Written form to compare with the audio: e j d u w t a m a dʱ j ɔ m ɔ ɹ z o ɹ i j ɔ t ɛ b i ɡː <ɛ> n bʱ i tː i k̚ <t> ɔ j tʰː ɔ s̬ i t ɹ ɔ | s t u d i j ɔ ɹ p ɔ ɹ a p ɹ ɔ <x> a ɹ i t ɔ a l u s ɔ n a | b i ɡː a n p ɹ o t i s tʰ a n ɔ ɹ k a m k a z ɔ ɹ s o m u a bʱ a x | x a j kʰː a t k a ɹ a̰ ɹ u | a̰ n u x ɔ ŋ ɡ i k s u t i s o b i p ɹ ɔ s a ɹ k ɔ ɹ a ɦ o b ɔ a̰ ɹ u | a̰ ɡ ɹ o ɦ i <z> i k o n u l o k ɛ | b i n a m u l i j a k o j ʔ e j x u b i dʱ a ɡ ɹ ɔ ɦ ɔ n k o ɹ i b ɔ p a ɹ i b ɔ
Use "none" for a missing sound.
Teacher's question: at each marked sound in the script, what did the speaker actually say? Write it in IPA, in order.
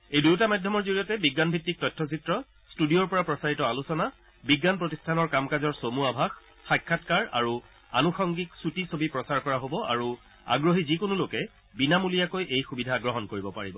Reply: a, t, s, z

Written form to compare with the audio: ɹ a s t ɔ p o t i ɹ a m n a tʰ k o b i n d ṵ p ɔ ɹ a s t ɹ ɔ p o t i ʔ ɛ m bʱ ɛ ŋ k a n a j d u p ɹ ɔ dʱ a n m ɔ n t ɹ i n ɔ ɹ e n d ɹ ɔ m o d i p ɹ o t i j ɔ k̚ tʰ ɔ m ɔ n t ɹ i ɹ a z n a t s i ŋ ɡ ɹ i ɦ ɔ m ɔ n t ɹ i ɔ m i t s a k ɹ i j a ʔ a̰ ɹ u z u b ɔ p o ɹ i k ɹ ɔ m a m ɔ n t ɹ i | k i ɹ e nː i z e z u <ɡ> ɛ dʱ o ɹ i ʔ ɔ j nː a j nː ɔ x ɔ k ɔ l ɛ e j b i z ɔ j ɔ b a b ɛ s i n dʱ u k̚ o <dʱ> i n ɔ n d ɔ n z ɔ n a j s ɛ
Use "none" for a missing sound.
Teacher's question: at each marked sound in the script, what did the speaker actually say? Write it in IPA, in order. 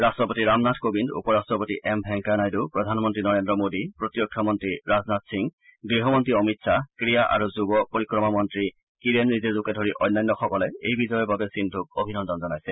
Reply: k, bʱ

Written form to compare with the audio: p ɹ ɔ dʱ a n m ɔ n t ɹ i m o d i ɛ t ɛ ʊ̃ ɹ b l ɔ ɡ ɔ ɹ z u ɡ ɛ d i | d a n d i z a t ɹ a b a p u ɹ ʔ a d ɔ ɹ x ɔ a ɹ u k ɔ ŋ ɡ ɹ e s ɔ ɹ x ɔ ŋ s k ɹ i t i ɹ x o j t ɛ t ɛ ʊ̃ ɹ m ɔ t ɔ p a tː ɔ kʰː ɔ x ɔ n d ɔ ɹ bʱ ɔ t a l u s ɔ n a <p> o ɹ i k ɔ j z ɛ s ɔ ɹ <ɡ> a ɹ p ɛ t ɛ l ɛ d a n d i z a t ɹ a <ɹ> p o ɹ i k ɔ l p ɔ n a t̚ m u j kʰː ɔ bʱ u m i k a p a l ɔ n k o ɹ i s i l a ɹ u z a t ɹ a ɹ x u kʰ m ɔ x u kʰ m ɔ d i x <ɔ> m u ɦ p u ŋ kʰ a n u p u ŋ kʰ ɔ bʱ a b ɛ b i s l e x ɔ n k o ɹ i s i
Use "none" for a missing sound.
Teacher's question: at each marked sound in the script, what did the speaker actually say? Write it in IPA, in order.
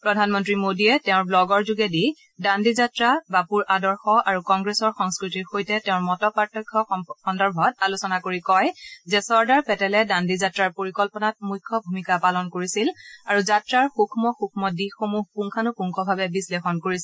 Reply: k, d, ɹ, o

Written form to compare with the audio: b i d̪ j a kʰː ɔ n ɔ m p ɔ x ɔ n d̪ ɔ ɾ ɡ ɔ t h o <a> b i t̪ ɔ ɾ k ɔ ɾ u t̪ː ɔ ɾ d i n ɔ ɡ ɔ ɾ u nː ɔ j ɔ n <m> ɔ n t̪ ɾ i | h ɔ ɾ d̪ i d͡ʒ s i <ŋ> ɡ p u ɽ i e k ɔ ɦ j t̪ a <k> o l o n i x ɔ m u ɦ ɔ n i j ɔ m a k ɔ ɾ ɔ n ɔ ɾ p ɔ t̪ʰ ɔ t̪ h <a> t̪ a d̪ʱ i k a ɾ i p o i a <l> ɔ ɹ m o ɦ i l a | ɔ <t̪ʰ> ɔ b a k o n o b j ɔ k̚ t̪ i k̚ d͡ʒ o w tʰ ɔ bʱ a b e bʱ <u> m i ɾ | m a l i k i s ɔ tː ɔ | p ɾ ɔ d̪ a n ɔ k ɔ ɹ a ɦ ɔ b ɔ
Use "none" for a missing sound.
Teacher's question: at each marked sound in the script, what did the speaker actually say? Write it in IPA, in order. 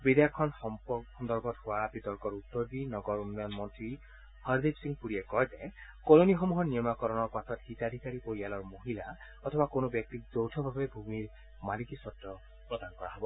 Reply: a, m, ŋ, k, i, l, t̪ʰ, u

